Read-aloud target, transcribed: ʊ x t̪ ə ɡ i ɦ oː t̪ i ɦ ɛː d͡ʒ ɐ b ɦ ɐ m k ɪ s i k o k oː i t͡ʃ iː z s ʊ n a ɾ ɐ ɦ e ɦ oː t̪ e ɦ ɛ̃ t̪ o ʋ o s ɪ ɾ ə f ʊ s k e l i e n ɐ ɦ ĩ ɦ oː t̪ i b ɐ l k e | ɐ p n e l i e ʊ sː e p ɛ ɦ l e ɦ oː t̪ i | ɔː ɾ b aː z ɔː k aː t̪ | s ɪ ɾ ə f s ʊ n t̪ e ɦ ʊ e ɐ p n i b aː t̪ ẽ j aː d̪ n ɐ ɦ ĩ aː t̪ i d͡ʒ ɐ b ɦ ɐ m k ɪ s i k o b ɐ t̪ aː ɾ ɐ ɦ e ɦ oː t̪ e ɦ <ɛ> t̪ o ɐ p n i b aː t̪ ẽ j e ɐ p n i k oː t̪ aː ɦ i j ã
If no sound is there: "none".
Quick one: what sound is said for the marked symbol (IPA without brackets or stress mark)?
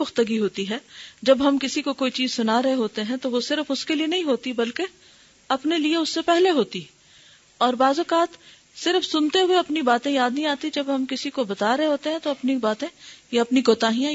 ɛ̃